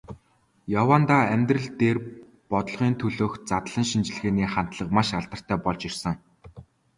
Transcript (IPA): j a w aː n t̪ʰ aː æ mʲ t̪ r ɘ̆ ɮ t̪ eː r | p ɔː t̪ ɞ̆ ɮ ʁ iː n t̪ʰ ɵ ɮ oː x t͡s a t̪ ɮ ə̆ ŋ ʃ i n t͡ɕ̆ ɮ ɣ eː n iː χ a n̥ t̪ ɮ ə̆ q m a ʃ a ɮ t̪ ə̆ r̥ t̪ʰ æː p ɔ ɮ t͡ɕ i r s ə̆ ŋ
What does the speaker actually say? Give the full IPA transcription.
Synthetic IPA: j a w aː n t̪ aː æ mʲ t̪ r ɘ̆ ɮ t̪ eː r | p ɔ t̪ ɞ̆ ɮ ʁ iː n t̪ʰ ɵ ɮ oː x t͡s a t̪ ɮ ə̆ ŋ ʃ i n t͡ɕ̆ ɮ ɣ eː n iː χ a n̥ t̪ ɮ ə̆ q m a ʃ a ɮ t̪ ə̆ r̥ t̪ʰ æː p ɔ ɮ t͡ɕ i r s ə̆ ŋ

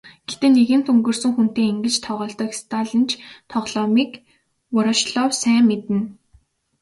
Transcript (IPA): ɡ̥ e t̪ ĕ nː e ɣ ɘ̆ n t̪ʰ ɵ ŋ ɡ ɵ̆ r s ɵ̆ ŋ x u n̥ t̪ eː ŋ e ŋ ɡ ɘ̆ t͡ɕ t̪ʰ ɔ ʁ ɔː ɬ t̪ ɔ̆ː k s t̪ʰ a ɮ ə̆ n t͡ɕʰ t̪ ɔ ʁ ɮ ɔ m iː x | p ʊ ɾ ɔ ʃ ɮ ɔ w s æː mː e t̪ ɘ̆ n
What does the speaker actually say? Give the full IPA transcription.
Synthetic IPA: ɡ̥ e t̪ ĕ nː e ɣ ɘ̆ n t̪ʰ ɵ ŋ ɡ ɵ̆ r s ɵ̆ ŋ x u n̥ t̪ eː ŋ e ŋ ɡ ɘ̆ t͡ɕ t̪ʰ ɔ ʁ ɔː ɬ t̪ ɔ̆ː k s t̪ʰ a ɮ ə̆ n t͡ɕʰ t̪ʰ ɔ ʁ ɮ ɔ m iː k | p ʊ ɾ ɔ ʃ ɮ ɔ w s æː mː e t̪ ɘ̆ n

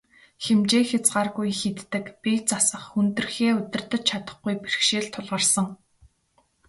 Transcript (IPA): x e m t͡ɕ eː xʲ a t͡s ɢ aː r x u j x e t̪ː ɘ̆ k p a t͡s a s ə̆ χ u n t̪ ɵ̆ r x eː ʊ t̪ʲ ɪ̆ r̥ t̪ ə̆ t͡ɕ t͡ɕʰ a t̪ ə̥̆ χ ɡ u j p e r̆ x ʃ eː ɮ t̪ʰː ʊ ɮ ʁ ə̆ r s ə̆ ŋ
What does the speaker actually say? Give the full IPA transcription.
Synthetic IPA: x e m t͡ɕ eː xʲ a t͡s ɢ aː r ɣ u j x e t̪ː ɘ̆ k p i t͡s a s ə̆ χ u n t̪ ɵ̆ r x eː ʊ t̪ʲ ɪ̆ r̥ t̪ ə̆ t͡ɕ t͡ɕʰ a t̪ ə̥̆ χ ɡ u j p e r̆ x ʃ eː ɮ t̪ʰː ʊ ɮ ʁ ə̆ r s ə̆ ŋ

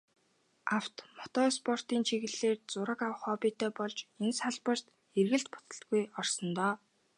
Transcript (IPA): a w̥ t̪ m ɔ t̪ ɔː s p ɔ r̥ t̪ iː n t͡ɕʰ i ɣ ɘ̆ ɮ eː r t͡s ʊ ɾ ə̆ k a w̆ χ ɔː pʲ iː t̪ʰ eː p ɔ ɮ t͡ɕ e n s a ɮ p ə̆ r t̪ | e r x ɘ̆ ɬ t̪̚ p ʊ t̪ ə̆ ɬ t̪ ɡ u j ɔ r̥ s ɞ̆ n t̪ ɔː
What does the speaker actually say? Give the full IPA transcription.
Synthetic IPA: a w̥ t̪ m ɔ t̪ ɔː s p ɔ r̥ t̪ iː n t͡ɕʰ i ɣ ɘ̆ ɮ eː r t͡s ʊ ɾ ə̆ k a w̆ χ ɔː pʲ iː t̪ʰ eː p ɔ ɮ t͡ɕ e n s a ɮ p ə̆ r t̪ | e r ɣ ɘ̆ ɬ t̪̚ p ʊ t̪ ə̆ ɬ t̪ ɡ u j ɔ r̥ s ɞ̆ n t̪ ɔː

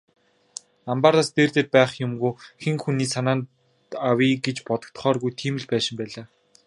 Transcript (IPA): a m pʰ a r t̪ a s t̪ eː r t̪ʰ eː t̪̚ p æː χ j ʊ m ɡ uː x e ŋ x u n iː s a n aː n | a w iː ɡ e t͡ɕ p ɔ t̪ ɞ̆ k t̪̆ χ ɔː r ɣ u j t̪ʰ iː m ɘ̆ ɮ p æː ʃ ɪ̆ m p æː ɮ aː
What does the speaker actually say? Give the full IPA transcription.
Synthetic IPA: a m p a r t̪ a s t̪ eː r t̪ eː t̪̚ p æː χ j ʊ m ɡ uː x e ŋ x u n iː s a n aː n | a w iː ɡ e t͡ɕ p ɔ t̪ ɞ̆ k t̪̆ χ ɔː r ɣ u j t̪ʰ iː m ɘ̆ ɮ p æː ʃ ɪ̆ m p æː ɮ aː

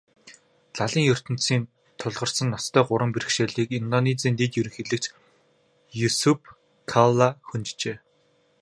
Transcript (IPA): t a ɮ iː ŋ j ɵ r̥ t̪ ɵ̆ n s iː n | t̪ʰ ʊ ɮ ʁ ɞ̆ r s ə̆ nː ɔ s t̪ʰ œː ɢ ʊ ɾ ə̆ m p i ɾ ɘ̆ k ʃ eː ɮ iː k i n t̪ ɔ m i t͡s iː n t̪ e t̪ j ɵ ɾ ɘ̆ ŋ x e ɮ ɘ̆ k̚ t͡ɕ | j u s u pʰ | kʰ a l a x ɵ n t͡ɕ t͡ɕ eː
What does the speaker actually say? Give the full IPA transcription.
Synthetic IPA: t a ɮ iː ŋ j ɵ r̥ t̪ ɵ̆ n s iː n | t̪ʰ ʊ ɮ ʁ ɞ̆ r s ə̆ nː ɔ s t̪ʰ œː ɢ ʊ ɾ ə̆ m p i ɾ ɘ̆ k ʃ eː ɮ iː k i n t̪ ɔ n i t͡s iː n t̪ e t̪ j ɵ ɾ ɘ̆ ŋ x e ɮ ɘ̆ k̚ t͡ɕ | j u s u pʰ | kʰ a l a x ɵ n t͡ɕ t͡ɕ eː

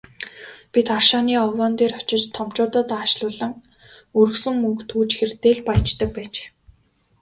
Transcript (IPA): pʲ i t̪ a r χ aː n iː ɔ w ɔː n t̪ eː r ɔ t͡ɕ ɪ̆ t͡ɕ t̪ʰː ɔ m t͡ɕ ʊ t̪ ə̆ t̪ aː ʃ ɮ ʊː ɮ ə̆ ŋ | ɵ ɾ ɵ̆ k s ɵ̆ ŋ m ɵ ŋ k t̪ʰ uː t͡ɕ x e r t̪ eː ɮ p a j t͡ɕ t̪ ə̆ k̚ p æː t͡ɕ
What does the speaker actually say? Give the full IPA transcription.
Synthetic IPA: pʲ i t̪ a r ʃ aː n iː ɔ w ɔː n t̪ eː r ɔ t͡ɕ ɪ̆ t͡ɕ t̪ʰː ɔ m t͡ɕ ʊː t̪ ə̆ t̪ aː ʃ ɮ ʊː ɮ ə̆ ŋ | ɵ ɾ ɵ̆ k s ɵ̆ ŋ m ɵ ŋ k t̪ʰ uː t͡ɕ x e r t̪ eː ɮ p a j t͡ɕ t̪ ə̆ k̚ p æː t͡ɕ

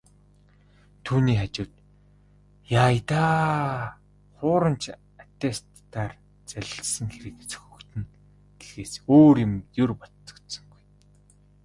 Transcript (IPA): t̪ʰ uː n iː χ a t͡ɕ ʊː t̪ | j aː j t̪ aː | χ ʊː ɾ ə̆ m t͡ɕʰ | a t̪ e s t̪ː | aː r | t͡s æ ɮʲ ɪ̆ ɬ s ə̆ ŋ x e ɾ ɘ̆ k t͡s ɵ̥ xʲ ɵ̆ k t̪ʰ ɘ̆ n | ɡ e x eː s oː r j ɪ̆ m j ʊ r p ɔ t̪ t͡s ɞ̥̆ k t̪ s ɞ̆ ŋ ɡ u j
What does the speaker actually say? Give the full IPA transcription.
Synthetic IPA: t̪ʰ uː n iː χ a t͡ɕ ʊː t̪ | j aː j t̪ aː | χ ʊː ɾ ə̆ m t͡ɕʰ | a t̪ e s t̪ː | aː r | t͡s æ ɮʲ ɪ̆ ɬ s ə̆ ŋ x e ɾ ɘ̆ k t͡s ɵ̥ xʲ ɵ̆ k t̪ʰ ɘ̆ n | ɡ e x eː s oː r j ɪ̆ m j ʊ r p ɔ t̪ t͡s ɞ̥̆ k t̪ s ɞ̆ ŋ ɡ u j

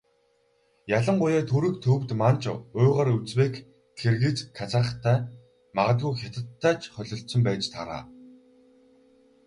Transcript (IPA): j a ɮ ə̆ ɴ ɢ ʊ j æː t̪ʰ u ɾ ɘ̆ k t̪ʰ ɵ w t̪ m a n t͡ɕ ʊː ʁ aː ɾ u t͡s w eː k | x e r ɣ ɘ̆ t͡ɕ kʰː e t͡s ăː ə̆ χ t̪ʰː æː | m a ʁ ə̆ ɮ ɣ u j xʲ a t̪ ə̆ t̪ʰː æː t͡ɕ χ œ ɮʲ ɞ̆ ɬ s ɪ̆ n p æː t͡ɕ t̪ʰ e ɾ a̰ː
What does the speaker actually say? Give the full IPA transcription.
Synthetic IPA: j a ɮ ə̆ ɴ ɢ ʊ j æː t̪ʰ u ɾ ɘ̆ k t̪ʰ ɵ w t̪ m a n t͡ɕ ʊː ʁ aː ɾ u t͡s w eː k | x e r ɣ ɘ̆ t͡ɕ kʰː a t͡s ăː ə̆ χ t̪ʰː æː | m a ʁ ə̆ ɮ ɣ u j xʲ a t̪ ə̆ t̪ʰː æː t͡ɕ χ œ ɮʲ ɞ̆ ɬ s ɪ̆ m p æː t͡ɕ t̪ʰ a ɾ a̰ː

